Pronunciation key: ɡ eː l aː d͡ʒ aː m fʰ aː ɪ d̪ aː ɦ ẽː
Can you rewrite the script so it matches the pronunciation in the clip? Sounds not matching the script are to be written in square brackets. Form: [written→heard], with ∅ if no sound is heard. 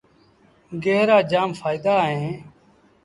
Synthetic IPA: ɡ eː [l→ɾ] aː d͡ʒ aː m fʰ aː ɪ d̪ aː ɦ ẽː